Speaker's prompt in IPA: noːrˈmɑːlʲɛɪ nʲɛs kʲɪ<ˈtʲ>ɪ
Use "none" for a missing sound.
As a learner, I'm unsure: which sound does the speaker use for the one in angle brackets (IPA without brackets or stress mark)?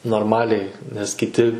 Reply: tʲ